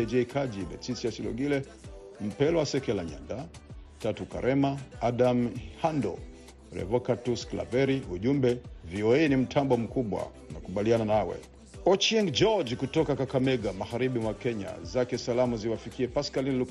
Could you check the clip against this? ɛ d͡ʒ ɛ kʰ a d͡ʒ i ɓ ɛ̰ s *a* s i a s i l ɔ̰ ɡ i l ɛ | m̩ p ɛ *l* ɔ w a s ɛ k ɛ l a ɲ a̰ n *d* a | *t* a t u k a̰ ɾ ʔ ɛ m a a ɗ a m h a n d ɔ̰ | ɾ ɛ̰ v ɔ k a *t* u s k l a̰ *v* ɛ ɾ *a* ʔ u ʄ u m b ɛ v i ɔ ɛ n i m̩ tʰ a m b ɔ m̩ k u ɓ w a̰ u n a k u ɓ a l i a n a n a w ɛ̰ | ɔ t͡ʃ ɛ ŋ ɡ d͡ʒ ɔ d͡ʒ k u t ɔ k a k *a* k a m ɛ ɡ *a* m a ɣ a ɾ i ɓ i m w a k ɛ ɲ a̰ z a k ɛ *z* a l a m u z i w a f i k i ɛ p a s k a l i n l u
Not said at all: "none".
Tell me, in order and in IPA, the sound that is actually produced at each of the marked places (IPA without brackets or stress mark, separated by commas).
i, l, d, t, t, v, i, a, a, s